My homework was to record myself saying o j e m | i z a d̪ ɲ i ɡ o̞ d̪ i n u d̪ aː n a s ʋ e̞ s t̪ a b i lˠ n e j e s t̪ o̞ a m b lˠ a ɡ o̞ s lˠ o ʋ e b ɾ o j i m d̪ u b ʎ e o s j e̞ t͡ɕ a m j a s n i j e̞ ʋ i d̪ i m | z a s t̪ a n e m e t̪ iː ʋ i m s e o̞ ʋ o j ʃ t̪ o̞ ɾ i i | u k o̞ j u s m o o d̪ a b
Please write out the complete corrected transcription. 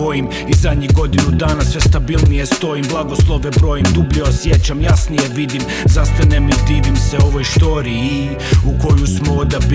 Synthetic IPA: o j i m | i z a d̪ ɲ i ɡ o̞ d̪ i n u d̪ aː n a s ʋ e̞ s t̪ a b i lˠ n i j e s t̪ o̞ i m b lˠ a ɡ o̞ s lˠ o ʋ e b ɾ o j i m d̪ u b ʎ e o s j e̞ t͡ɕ a m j a s n i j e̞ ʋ i d̪ i m | z a s t̪ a n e m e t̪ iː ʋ i m s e o̞ ʋ o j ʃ t̪ o̞ ɾ i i | u k o̞ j u s m o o d̪ a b